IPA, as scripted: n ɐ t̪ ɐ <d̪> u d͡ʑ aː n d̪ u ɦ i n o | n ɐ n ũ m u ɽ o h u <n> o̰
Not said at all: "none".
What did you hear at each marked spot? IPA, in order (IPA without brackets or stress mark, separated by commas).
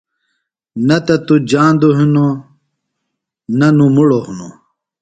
t̪, n